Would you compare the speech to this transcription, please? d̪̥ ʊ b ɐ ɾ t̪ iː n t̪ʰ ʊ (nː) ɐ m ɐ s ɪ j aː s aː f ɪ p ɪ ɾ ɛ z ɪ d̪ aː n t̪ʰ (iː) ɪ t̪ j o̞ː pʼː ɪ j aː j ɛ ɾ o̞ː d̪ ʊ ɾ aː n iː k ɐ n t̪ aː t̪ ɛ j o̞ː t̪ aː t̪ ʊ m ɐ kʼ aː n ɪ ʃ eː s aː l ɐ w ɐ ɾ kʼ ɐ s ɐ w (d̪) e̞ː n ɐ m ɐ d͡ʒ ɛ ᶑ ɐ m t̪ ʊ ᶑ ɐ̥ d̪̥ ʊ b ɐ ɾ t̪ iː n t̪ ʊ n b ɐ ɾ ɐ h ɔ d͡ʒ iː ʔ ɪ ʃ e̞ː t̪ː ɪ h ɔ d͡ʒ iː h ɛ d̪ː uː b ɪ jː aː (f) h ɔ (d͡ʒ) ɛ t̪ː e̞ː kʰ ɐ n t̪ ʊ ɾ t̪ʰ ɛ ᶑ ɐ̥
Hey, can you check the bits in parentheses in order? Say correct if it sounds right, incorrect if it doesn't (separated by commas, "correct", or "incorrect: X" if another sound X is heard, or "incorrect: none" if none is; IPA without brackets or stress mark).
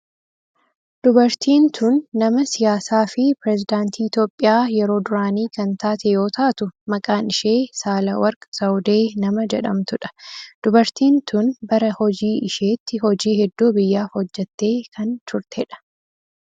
correct, correct, correct, correct, incorrect: d͡ʒː